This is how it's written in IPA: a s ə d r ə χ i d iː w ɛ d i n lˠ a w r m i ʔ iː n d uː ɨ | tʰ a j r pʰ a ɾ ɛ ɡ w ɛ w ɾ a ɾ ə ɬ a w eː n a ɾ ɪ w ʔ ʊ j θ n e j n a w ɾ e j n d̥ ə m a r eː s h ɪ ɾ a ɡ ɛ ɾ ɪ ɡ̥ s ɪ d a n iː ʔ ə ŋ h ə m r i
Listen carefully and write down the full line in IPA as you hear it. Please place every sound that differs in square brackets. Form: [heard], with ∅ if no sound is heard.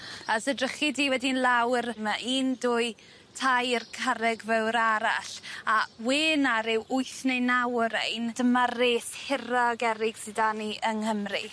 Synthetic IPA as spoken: a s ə d r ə χ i d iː w ɛ d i n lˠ a w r m [a] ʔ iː n d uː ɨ | tʰ a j r [kʰ] a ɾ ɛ ɡ [v] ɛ w ɾ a ɾ [a] ɬ a w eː n a ɾ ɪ w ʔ ʊ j θ n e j n a w ɾ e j n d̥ ə m a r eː s h ɪ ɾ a ɡ ɛ ɾ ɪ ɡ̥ s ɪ d a n [i] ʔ ə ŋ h ə m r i